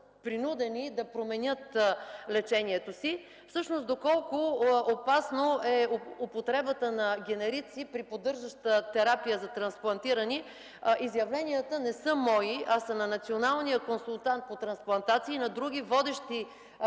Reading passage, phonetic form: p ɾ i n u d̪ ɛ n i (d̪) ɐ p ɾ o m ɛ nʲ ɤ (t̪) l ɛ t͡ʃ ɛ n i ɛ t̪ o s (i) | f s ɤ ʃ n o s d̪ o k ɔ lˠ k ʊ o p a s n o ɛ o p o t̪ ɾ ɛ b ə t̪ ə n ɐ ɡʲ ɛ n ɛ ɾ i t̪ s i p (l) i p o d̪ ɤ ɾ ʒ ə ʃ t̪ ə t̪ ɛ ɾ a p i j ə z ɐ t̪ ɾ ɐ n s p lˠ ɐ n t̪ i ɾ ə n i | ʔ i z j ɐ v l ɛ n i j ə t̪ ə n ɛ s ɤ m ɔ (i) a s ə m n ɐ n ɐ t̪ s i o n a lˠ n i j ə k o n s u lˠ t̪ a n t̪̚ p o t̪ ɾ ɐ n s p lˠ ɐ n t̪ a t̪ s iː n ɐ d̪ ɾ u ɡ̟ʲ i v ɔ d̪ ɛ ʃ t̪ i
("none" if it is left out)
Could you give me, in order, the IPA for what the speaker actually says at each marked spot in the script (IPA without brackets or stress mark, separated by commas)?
d̪, t̪, i, ɾ, i